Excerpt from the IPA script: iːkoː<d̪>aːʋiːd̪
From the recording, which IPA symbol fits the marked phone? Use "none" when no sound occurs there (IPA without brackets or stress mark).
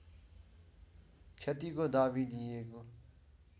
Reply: d̪